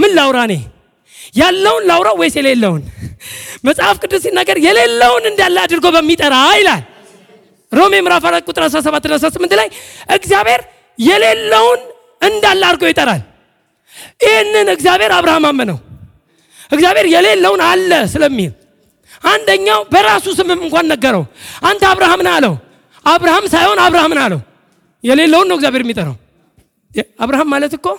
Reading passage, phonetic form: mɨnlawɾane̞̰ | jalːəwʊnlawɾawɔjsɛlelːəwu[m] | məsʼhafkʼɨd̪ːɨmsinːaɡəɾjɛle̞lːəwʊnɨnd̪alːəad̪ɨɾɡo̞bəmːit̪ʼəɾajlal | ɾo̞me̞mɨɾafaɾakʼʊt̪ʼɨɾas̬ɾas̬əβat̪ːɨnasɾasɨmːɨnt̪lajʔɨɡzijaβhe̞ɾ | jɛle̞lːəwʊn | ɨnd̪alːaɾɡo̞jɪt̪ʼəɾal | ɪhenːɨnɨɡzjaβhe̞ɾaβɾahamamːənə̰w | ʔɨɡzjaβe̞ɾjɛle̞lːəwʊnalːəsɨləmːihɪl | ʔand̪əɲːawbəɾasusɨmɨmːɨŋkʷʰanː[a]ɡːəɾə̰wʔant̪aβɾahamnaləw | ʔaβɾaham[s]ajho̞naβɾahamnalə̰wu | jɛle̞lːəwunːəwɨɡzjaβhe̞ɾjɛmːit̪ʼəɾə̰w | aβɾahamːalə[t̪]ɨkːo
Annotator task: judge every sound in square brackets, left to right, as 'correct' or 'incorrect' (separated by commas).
incorrect, incorrect, correct, correct